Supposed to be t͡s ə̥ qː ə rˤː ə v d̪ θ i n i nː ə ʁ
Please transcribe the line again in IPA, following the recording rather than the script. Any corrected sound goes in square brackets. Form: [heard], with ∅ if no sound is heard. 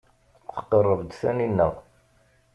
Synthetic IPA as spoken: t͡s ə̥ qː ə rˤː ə v d̪ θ [æ] n i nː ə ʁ